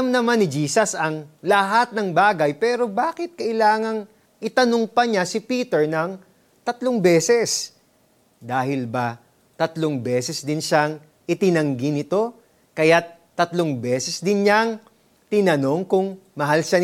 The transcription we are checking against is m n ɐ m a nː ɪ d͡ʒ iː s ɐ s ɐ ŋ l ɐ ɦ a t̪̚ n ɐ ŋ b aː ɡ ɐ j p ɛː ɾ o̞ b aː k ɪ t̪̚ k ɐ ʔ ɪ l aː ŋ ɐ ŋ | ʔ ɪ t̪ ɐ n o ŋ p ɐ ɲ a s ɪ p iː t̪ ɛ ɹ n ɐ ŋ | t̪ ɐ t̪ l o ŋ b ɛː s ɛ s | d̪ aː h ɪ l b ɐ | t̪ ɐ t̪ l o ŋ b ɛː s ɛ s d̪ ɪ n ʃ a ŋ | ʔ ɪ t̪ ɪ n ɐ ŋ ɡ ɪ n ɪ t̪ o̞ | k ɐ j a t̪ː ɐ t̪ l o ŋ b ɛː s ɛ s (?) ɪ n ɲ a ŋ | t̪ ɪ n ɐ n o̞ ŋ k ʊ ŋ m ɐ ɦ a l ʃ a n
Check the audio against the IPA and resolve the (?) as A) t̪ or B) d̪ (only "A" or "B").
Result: B